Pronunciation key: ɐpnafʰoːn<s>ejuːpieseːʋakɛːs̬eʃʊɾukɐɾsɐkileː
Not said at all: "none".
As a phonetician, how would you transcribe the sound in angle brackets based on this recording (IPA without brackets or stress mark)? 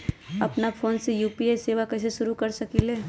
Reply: s